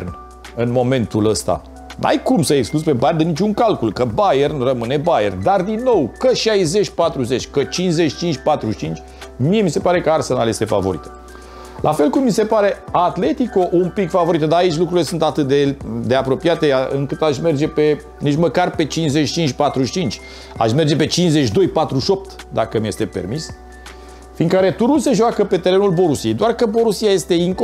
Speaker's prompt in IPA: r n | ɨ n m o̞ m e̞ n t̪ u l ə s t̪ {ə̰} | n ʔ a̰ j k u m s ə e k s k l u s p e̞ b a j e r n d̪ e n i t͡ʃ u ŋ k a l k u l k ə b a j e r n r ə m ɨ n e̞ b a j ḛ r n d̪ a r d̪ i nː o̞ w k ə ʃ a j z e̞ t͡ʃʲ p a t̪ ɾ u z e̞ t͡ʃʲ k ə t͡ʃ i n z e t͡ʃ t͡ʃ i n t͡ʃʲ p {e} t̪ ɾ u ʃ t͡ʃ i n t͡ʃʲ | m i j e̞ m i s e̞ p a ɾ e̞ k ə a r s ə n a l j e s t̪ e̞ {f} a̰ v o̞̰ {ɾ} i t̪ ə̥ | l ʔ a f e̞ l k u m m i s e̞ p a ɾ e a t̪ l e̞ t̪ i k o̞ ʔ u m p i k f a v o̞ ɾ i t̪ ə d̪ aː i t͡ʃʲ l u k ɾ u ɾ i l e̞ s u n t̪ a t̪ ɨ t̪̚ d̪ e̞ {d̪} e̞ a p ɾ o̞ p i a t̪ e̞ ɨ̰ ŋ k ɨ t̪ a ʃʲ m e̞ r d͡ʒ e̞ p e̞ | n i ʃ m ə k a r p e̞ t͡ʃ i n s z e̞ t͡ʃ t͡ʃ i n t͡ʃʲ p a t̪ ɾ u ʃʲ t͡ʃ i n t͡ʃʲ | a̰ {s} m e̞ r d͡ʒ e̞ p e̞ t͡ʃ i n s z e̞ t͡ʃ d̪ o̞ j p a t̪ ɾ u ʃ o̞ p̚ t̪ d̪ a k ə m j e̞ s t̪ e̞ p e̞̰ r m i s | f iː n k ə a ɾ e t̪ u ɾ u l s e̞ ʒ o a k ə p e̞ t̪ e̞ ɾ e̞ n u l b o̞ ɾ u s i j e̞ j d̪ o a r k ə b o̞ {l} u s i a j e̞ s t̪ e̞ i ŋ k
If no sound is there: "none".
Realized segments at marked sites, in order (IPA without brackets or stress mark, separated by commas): a̰, a, f, ɾ, d̪, ʃ, ɾ